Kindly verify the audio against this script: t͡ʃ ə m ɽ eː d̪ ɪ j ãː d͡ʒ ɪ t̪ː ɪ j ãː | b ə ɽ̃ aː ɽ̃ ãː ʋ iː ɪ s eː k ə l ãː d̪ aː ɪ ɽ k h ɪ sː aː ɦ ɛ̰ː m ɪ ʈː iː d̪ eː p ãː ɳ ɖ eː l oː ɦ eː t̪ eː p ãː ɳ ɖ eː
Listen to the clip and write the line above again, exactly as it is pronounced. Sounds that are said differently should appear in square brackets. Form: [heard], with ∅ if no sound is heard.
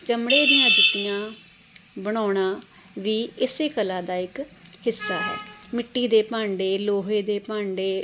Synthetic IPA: t͡ʃ ə m ɽ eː d̪ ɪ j ãː d͡ʒ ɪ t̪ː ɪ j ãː | b ə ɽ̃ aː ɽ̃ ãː ʋ iː ɪ s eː k ə l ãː d̪ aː ɪ [∅] k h ɪ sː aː ɦ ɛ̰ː m ɪ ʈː iː d̪ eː p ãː ɳ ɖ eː l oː ɦ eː [d̪] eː p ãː ɳ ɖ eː

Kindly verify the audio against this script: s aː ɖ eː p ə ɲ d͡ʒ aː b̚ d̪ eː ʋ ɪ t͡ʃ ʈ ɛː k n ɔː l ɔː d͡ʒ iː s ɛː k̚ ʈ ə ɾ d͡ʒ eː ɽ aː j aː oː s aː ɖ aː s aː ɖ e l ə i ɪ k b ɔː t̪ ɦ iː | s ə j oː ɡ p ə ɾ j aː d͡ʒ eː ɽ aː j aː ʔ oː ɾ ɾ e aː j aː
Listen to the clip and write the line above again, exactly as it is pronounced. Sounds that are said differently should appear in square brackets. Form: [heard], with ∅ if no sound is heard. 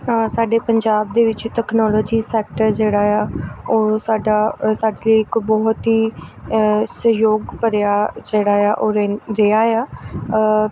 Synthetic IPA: s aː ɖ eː p ə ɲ d͡ʒ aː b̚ d̪ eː ʋ ɪ t͡ʃ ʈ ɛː k n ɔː l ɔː d͡ʒ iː s ɛː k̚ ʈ ə ɾ d͡ʒ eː ɽ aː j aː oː s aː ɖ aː s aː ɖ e l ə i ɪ k b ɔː t̪ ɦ iː | s ə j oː ɡ p ə ɾ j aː d͡ʒ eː ɽ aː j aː ʔ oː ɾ ɾ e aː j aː

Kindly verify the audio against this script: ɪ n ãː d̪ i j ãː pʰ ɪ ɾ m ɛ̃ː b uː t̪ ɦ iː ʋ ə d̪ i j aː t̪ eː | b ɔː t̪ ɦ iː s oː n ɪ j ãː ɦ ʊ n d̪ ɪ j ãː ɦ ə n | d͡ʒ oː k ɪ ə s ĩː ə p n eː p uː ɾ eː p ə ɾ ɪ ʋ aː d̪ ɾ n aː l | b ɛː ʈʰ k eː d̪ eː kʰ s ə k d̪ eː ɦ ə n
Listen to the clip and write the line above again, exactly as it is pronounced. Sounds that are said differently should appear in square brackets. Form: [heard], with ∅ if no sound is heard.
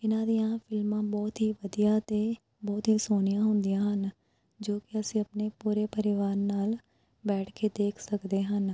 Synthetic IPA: ɪ n ãː d̪ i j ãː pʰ ɪ [l] m [ãː] b [ɔː] t̪ ɦ iː ʋ ə d̪ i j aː t̪ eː | b ɔː t̪ ɦ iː s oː n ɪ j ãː ɦ ʊ n d̪ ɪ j ãː ɦ ə n | d͡ʒ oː k ɪ ə s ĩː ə p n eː p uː ɾ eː p ə ɾ ɪ ʋ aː [∅] ɾ n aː l | b ɛː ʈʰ k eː d̪ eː kʰ s ə k d̪ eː ɦ ə n

